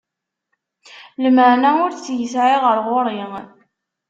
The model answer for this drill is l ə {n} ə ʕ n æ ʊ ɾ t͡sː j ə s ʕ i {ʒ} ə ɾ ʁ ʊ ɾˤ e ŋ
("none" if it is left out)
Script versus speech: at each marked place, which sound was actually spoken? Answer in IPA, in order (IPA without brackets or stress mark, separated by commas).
m, ʁ